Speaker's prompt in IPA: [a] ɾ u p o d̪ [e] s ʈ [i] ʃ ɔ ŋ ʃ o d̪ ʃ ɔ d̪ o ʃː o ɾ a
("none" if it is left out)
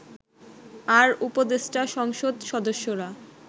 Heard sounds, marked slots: a, e, a

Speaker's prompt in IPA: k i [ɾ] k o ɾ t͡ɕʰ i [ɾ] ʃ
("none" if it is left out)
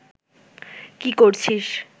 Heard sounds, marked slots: none, none

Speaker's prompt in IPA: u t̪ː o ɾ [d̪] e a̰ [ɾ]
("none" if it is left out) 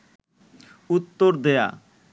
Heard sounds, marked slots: d̪, none

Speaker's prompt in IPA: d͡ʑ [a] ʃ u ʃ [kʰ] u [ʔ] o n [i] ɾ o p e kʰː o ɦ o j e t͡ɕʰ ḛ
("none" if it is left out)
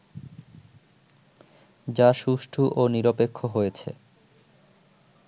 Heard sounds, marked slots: a, ʈʰ, ʔ, i

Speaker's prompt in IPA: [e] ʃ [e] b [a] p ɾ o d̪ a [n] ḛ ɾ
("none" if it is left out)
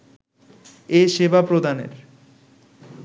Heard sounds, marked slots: e, e, a, n

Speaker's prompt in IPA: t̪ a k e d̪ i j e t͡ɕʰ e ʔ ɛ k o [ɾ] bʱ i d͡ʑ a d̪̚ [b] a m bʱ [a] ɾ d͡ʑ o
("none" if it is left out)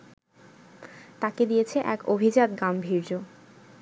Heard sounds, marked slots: none, ɡ, i

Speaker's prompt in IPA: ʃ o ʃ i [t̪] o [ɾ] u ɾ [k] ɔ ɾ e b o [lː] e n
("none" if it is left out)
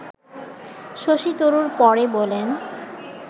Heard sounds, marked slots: t̪, ɾ, p, l

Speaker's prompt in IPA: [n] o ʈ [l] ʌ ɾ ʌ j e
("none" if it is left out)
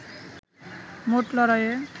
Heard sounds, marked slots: m, l

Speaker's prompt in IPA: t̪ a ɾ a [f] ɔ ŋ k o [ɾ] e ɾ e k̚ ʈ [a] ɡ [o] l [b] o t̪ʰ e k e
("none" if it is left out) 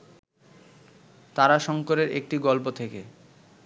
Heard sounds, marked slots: ʃ, ɾ, i, ɔ, p

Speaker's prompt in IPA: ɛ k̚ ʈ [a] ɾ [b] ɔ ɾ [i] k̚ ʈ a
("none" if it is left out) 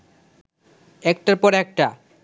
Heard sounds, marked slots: a, p, ɛ

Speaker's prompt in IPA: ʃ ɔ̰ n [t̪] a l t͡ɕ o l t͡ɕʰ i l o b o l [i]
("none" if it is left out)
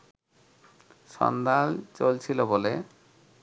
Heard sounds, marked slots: d̪, e

